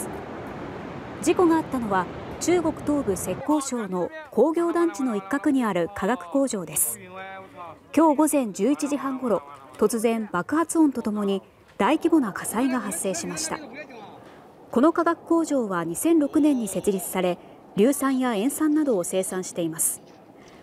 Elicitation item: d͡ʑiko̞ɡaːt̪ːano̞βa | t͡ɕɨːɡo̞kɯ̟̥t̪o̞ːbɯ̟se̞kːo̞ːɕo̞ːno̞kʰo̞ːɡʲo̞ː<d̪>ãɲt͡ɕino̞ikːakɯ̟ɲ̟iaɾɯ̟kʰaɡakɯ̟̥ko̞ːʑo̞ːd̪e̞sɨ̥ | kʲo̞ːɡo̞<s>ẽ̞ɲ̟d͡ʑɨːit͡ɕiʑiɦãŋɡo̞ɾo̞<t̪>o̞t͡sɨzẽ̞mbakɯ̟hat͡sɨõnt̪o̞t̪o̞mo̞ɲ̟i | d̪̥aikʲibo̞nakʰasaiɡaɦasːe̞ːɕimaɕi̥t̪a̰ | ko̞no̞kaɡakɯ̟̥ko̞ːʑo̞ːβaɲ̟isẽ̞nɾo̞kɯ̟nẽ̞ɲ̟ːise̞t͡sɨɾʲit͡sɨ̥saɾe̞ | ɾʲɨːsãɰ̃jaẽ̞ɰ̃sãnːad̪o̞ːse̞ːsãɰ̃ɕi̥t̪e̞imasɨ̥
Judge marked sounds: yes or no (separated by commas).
yes, no, yes